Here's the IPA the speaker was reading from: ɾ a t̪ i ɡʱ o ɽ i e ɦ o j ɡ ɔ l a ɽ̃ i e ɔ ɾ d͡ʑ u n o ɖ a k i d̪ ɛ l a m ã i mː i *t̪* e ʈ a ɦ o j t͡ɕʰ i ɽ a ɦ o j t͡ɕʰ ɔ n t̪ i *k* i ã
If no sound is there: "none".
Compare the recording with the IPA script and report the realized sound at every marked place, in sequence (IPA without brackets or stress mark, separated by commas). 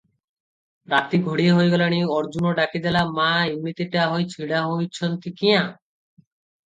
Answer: t̪, k